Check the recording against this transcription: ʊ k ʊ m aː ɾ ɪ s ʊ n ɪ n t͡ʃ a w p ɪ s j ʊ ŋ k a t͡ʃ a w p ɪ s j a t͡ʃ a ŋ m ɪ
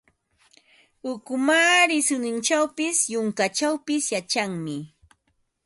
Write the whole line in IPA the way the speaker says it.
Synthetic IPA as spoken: ʊ k ʊ m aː ɾ ɪ s ʊ n ɪ n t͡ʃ a w p ɪ s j ʊ ŋ k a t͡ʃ a w p ɪ s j a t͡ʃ a ŋ m ɪ